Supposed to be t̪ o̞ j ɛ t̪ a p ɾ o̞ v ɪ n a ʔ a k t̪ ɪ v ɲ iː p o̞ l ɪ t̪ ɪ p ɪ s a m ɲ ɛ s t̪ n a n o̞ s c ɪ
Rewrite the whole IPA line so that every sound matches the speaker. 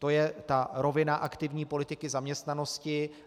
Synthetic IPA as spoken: t̪ o̞ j ɛ t̪ a ɾ o̞ v ɪ n a ʔ a k t̪ ɪ v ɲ iː p o̞ l ɪ t̪ ɪ k ɪ z a m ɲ ɛ s t̪ n a n o̞ s c ɪ